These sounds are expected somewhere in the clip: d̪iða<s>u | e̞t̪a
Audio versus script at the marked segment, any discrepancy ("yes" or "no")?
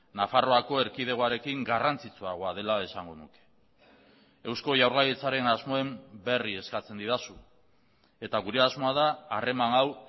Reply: no